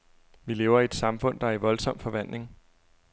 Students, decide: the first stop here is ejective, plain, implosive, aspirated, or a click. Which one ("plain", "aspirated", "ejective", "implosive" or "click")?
plain